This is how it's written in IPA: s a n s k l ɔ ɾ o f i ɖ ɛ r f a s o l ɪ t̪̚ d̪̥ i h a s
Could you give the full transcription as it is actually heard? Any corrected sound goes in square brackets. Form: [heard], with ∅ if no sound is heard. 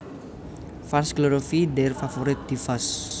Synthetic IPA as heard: [f] a n s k l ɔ ɾ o f i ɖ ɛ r f a [f] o [ɾ] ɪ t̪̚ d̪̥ i [f] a s

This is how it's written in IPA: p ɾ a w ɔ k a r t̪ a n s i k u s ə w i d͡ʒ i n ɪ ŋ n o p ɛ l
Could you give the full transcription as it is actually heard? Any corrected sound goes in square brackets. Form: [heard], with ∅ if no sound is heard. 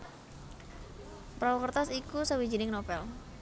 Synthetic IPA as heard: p ɾ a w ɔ k [ə] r t̪ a [∅] s i k u s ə w i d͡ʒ i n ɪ ŋ n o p ɛ l

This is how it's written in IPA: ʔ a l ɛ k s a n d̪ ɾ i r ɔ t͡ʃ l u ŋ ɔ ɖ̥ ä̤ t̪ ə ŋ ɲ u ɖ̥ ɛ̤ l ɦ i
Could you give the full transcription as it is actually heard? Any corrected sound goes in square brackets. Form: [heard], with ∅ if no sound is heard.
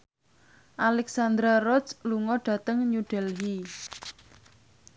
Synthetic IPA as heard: ʔ a l ɛ k s a n d̪ ɾ [a] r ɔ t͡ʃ l u ŋ ɔ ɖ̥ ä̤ t̪ ə ŋ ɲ u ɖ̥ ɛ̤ l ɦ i

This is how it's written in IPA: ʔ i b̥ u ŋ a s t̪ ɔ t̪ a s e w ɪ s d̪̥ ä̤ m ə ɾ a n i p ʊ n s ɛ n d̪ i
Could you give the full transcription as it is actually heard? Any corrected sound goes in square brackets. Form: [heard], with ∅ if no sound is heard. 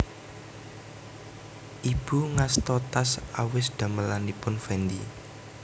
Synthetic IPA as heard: ʔ i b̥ u ŋ a s t̪ ɔ t̪ a s [a] w ɪ s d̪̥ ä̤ m ə [l] a n i p ʊ n [f] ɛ n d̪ i

